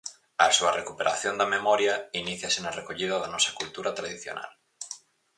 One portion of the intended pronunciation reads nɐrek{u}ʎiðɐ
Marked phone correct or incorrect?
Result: incorrect